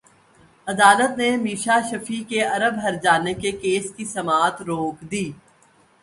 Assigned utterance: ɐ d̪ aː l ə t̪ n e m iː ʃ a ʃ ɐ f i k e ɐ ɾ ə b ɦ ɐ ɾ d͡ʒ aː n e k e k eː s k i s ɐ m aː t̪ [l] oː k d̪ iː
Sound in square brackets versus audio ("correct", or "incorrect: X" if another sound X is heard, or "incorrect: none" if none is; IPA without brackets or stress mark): incorrect: ɾ